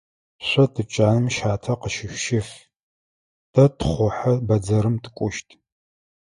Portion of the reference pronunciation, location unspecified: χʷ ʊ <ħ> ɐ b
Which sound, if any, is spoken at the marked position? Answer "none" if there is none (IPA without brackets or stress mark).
ħ